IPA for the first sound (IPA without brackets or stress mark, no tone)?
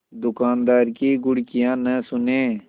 d̪